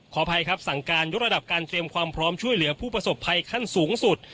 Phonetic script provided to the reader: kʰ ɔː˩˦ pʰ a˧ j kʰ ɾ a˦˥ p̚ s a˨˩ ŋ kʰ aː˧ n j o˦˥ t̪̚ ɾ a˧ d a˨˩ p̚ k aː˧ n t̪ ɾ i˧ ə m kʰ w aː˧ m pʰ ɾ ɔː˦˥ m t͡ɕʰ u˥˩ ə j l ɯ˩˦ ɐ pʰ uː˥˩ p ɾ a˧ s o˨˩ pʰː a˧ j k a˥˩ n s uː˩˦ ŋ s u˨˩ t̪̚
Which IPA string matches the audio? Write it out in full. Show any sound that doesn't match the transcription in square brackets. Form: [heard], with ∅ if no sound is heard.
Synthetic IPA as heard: kʰ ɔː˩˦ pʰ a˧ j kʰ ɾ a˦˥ p̚ s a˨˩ ŋ [k] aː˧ n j o˦˥ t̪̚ ɾ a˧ d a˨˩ p̚ k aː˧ n t̪ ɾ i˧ ə m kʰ w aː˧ m pʰ ɾ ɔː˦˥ m t͡ɕʰ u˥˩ ə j l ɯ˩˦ ɐ pʰ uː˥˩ p ɾ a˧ s o˨˩ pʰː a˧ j [kʰ] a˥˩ n s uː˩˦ ŋ s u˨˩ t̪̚

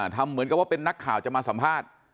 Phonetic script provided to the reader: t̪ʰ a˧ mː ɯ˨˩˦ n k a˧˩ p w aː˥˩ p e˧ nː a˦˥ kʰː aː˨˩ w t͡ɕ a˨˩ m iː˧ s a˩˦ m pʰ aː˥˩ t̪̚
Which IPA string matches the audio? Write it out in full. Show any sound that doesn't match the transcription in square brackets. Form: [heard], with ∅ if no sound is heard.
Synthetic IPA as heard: t̪ʰ a˧ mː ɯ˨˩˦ n k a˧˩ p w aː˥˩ p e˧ nː a˦˥ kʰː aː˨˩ w t͡ɕ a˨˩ m [aː˧] s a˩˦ m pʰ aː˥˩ t̪̚

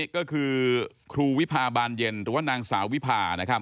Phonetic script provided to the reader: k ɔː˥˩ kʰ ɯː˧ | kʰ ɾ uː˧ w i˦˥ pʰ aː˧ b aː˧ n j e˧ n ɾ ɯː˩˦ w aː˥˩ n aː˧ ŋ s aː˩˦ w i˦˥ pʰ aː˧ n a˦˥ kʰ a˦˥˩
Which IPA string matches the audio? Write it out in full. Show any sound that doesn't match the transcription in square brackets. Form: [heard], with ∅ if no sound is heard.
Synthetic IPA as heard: k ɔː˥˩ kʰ ɯː˧ | kʰ ɾ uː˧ w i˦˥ pʰ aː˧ b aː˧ n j e˧ n ɾ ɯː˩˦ w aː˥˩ n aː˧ ŋ s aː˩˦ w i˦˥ pʰ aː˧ n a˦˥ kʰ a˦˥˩

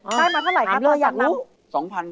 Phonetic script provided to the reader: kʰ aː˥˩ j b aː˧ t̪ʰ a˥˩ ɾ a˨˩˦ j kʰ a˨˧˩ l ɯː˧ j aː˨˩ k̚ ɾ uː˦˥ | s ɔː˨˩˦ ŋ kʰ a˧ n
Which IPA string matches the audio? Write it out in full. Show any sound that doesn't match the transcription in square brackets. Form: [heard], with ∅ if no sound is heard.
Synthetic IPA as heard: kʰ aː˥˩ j [m] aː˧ t̪ʰ a˥˩ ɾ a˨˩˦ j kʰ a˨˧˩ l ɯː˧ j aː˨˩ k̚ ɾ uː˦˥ | s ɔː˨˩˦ ŋ [pʰ] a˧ n

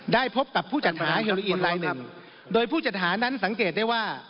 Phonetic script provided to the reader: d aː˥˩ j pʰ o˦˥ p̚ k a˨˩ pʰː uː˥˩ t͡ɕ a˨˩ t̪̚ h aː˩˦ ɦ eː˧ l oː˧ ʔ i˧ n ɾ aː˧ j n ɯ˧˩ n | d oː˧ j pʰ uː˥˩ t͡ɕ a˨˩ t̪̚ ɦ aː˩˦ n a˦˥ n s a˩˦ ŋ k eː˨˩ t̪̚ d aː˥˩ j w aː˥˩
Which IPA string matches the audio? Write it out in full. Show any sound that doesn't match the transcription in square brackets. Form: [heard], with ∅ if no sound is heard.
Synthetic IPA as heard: d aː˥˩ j pʰ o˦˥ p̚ k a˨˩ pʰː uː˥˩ t͡ɕ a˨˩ t̪̚ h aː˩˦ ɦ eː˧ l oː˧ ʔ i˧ n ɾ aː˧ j n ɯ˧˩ [ŋ] | d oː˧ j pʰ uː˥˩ t͡ɕ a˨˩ t̪̚ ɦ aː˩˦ n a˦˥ n s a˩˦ ŋ k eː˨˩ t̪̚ d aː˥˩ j w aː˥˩

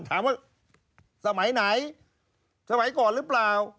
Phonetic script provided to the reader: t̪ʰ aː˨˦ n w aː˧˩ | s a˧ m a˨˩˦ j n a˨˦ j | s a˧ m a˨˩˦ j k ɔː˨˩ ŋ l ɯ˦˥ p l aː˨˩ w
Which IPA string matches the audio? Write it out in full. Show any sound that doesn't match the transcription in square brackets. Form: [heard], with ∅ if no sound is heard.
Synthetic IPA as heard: t̪ʰ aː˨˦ [m] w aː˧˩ | s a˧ m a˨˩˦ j n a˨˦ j | s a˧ m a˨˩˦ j k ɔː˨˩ [n] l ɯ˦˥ p l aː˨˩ w

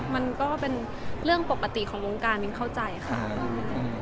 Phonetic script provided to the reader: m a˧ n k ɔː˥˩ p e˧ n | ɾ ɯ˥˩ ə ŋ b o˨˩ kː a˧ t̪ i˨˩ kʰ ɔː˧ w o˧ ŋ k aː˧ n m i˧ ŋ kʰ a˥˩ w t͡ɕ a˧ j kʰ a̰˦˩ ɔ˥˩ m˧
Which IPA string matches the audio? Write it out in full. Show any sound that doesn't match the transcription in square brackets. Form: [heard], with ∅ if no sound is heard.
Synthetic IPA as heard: m a˧ n k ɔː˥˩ p e˧ n | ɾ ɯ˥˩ ə ŋ [p] o˨˩ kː a˧ t̪ i˨˩ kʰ [ɔː˩˦] w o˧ ŋ k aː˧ n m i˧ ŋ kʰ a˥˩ w t͡ɕ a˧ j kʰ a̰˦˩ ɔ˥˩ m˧

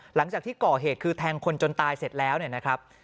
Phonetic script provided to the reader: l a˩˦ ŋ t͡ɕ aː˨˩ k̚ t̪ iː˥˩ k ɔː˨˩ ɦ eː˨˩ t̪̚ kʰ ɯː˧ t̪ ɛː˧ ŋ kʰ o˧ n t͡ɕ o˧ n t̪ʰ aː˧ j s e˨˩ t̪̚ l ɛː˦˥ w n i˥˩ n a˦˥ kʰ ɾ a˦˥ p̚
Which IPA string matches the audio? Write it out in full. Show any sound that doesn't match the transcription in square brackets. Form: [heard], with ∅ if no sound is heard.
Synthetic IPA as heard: l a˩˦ ŋ t͡ɕ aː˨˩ k̚ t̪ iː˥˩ k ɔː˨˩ ɦ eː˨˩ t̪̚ kʰ ɯː˧ [t̪ʰ] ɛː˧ ŋ kʰ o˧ n t͡ɕ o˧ n [t̪] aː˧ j s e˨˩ t̪̚ l ɛː˦˥ w n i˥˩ n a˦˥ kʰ ɾ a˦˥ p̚

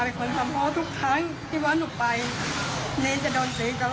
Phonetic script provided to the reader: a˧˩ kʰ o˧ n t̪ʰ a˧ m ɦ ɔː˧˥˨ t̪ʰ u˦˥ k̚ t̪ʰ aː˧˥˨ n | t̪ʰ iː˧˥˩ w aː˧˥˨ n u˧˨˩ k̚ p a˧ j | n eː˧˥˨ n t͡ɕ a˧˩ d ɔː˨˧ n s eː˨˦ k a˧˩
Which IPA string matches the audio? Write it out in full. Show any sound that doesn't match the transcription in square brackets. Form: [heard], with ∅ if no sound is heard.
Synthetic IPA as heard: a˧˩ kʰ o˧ n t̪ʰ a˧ m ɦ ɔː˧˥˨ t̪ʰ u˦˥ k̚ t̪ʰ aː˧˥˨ [ŋ] | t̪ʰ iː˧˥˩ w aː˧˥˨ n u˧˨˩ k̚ p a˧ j | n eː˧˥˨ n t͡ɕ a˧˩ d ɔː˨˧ n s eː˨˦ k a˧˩

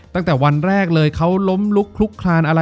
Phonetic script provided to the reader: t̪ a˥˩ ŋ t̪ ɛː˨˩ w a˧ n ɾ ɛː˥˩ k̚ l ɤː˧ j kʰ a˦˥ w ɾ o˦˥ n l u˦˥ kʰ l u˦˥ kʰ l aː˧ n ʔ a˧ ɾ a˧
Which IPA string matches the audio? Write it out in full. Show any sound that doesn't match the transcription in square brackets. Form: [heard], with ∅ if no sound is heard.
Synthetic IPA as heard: t̪ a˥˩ ŋ t̪ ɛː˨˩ w a˧ n ɾ ɛː˥˩ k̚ l ɤː˧ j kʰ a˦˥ w [l] o˦˥ [m] l u˦˥ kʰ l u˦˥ kʰ l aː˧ n ʔ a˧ ɾ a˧

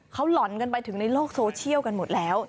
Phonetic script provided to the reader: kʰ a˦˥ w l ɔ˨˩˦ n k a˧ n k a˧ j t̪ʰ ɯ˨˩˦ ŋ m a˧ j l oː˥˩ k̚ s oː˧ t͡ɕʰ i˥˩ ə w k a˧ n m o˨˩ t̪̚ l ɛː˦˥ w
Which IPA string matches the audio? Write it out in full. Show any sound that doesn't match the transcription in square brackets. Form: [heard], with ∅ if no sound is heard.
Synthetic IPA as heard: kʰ a˦˥ w l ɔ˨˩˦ n k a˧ n [p] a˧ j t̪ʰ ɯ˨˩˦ ŋ [n] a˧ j l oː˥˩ k̚ s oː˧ t͡ɕʰ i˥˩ ə w k a˧ n m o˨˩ t̪̚ l ɛː˦˥ w

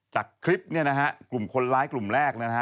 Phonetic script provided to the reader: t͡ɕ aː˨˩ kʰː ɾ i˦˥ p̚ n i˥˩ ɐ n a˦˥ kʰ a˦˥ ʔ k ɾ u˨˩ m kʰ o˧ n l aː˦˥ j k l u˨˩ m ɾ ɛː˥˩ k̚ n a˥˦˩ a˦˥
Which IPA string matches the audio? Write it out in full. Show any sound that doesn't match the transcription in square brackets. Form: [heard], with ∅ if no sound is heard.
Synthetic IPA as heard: t͡ɕ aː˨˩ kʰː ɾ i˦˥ p̚ n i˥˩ ɐ n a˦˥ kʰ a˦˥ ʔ k [l] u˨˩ m kʰ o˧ n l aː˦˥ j k l u˨˩ m ɾ ɛː˥˩ k̚ n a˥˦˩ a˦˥

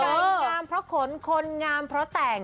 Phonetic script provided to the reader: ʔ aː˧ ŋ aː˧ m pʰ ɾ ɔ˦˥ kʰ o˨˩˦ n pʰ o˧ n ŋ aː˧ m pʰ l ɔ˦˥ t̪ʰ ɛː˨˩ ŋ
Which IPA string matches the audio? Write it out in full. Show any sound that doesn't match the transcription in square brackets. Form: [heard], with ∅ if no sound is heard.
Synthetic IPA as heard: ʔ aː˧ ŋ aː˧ m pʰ ɾ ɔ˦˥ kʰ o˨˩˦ n [kʰ] o˧ n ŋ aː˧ m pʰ [ɾ] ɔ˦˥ [t̪] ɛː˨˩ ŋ

